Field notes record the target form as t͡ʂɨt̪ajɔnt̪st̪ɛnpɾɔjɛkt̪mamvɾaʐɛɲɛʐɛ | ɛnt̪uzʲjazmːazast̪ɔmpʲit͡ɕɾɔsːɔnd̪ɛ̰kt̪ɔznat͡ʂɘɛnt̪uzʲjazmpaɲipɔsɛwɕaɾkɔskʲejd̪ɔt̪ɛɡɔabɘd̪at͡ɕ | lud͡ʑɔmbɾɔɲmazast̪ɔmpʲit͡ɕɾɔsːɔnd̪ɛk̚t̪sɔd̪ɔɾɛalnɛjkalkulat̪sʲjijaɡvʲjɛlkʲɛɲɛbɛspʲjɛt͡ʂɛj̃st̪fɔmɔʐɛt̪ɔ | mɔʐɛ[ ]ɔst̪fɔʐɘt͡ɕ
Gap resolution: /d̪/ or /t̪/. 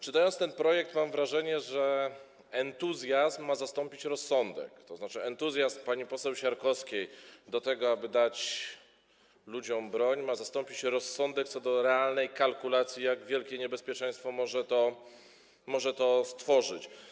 t̪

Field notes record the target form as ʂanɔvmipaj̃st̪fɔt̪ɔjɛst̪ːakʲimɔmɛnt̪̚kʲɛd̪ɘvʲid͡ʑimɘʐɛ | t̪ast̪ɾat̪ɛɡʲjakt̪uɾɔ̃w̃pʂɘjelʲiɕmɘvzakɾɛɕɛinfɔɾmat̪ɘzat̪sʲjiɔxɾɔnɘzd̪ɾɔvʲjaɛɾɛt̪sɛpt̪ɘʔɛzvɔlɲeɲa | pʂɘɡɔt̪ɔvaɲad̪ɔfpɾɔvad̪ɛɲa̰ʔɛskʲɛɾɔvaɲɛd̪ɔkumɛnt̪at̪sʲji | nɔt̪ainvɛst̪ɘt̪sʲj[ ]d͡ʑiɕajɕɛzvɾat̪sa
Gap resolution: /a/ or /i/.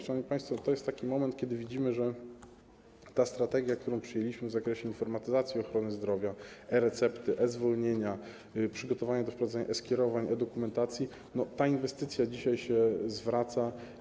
a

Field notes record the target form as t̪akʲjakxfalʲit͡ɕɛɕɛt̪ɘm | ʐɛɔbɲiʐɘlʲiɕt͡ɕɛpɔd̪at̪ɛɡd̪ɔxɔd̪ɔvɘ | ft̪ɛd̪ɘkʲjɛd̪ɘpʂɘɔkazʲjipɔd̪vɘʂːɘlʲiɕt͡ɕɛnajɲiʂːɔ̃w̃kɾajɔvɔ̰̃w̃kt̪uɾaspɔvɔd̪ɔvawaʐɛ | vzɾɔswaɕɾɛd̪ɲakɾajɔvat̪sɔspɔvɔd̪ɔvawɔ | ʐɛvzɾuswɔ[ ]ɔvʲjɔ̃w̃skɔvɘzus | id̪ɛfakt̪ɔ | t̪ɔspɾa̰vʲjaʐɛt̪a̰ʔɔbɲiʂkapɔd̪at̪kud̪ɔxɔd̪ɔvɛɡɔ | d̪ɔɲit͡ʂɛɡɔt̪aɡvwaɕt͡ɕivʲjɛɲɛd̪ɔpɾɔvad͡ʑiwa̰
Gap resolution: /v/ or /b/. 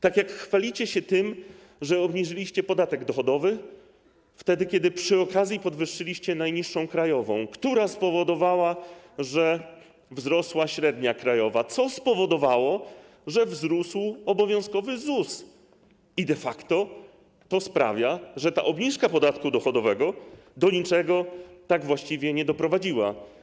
b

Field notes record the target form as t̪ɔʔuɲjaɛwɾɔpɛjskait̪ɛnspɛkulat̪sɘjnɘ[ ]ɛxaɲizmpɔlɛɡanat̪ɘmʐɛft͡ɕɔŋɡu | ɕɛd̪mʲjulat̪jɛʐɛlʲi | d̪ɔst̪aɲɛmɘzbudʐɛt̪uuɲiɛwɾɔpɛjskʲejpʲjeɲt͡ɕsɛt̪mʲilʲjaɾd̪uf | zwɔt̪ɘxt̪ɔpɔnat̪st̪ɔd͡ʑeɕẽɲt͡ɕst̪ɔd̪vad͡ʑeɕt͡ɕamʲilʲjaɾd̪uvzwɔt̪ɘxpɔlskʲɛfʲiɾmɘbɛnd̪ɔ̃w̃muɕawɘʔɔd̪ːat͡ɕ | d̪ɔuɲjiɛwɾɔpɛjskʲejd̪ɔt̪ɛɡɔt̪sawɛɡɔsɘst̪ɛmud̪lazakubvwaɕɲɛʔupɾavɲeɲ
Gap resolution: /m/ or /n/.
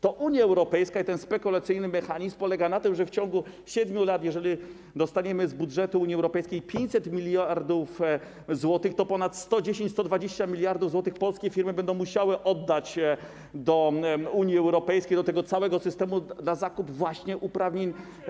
m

